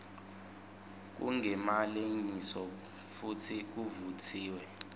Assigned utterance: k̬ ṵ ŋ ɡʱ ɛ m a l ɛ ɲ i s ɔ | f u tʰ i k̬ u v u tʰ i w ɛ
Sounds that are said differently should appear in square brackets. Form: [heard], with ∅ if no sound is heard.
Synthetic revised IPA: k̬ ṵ ŋ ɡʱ ɛ m a l [e] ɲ i s ɔ | f u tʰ i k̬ u v u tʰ [iː] w ɛ